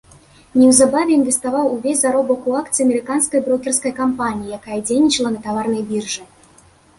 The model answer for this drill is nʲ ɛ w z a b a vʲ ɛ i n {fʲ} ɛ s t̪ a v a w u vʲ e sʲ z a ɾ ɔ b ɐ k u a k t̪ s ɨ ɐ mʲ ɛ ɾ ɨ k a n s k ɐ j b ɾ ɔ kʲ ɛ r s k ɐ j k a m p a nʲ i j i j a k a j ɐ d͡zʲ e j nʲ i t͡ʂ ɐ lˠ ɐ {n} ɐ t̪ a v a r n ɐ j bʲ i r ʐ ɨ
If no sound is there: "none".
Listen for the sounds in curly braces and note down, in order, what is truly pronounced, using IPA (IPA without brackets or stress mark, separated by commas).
vʲ, n